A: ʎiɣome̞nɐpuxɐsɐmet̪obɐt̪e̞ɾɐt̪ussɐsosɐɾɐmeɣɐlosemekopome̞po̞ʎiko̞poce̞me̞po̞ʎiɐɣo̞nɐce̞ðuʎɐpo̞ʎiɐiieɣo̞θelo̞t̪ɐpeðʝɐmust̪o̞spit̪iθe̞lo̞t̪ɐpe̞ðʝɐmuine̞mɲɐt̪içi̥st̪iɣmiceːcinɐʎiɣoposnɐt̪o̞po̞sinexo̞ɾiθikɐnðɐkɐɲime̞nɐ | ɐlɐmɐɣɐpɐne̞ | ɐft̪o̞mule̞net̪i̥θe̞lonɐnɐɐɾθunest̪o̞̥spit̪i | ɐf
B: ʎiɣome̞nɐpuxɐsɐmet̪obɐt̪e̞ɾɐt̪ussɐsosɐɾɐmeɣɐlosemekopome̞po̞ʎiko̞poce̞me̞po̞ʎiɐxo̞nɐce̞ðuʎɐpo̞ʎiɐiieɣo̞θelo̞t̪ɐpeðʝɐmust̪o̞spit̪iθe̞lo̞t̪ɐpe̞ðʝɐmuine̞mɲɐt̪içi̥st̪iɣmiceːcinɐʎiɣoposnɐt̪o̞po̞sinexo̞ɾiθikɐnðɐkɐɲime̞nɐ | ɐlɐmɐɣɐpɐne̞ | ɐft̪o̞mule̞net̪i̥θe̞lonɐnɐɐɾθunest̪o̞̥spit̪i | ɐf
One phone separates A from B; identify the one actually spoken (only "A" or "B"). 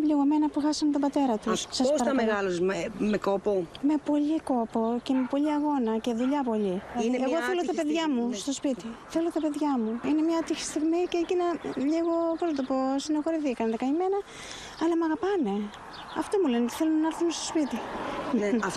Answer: A